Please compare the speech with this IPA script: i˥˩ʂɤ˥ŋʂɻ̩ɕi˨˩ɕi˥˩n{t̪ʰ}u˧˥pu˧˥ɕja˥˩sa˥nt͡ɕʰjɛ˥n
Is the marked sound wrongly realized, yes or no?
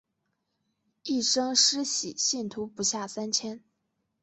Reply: no